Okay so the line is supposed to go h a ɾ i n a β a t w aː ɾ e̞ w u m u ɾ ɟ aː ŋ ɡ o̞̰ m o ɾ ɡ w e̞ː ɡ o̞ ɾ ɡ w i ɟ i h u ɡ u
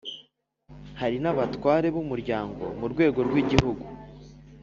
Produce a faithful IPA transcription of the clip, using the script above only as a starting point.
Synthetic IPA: h a ɾ i n a β a t w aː ɾ e̞ β u m u ɾ ɟ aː ŋ ɡ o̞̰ m u ɾ ɡ w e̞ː ɡ o̞ ɾ ɡ w i ɟ i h u ɡ u